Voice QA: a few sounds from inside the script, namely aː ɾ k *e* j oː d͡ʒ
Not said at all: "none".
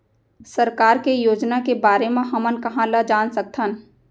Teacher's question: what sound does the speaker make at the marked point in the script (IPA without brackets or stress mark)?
e